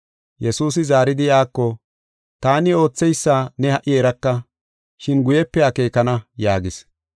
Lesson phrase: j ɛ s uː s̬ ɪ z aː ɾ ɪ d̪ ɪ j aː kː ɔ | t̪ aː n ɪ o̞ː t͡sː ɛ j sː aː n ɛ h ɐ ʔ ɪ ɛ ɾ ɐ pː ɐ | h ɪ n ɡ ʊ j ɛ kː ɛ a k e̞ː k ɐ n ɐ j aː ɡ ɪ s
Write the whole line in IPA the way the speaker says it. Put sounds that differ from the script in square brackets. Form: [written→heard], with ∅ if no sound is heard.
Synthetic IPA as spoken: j ɛ s uː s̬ ɪ z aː ɾ ɪ d̪ ɪ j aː kː ɔ | t̪ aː n ɪ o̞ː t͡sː ɛ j sː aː n ɛ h ɐ ʔ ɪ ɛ ɾ ɐ [pː→kː] ɐ | [h→ʃ] ɪ n ɡ ʊ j ɛ [kː→pː] ɛ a k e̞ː k ɐ n ɐ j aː ɡ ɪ s